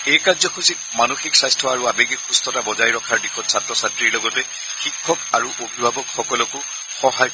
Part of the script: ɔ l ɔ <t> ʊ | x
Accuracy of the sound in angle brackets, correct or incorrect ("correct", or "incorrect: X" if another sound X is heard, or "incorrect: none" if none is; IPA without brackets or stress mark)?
incorrect: k